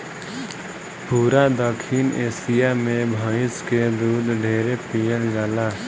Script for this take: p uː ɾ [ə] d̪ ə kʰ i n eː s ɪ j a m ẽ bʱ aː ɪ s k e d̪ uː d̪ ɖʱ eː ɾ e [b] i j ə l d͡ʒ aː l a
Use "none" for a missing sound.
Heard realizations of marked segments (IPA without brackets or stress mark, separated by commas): a, p